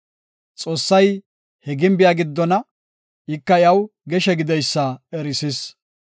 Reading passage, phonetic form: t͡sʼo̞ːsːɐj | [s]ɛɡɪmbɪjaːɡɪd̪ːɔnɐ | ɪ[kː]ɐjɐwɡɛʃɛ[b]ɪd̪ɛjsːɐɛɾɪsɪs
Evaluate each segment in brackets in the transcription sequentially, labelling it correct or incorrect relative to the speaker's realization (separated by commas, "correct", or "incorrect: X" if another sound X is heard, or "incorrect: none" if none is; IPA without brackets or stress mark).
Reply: incorrect: h, correct, incorrect: ɡ